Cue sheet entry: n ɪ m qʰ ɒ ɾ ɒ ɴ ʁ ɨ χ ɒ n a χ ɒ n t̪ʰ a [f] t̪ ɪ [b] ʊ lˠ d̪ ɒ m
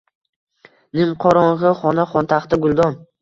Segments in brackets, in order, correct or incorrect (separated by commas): incorrect, incorrect